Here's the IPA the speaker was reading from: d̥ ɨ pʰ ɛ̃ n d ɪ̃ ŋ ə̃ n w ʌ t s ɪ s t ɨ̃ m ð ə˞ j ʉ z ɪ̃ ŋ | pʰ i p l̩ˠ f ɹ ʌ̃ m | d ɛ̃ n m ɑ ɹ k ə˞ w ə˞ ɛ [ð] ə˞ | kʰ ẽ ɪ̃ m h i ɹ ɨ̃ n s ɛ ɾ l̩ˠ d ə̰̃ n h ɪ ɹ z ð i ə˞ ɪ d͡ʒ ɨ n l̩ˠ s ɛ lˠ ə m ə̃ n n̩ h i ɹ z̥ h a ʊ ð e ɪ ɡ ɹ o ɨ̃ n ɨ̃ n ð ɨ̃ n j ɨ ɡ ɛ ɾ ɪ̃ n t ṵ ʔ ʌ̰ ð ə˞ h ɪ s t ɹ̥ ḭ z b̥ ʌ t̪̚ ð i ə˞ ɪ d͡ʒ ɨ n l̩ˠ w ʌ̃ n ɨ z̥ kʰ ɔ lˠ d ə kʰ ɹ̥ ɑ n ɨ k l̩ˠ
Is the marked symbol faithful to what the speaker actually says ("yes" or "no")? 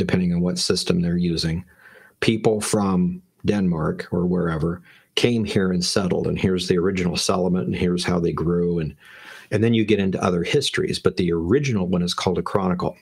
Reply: no